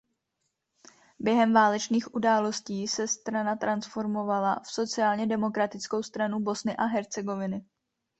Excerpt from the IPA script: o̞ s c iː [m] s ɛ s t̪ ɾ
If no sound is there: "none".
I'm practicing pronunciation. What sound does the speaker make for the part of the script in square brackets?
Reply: none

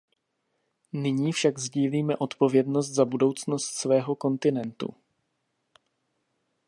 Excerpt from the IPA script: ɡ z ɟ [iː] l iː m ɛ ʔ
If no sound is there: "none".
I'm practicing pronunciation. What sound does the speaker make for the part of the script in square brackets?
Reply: iː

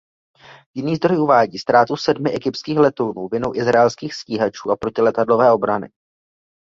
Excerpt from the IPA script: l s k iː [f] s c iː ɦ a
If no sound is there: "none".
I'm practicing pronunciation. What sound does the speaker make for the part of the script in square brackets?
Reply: x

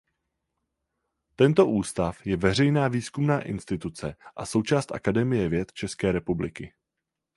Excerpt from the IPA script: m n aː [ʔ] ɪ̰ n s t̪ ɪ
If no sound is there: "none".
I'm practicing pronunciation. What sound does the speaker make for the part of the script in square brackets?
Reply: ʔ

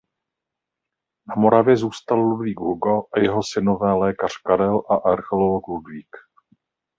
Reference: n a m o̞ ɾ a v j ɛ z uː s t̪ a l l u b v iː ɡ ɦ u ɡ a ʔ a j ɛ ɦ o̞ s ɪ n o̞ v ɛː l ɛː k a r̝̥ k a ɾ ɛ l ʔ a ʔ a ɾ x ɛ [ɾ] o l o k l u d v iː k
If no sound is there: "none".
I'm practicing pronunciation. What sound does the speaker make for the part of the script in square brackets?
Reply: l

